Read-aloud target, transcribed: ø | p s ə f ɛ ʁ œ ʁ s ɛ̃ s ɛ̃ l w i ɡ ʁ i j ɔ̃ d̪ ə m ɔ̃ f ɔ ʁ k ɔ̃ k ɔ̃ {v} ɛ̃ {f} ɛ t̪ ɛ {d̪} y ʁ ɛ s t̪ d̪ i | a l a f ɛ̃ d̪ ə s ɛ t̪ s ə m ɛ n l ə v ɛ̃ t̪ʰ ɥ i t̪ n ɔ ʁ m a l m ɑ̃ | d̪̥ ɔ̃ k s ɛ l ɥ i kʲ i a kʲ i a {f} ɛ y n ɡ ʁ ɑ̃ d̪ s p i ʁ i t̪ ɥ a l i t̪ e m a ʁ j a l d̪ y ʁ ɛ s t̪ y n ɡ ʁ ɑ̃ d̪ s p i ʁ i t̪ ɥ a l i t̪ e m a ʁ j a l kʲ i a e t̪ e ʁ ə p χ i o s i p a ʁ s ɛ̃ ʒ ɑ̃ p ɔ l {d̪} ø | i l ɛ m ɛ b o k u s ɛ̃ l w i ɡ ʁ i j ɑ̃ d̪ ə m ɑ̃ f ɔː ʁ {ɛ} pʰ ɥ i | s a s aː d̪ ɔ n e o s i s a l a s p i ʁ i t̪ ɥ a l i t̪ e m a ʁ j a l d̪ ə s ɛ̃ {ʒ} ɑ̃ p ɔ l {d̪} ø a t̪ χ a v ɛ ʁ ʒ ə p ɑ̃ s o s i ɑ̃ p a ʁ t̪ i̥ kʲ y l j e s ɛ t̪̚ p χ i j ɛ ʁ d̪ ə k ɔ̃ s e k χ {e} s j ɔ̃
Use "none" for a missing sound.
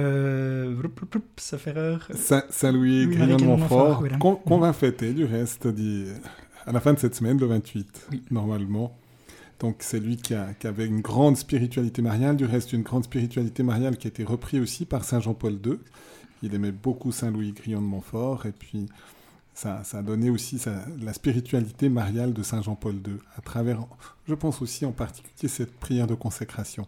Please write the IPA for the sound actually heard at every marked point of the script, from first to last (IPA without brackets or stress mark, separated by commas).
v, f, d̪, v, d̪, e, ʒ, d̪, a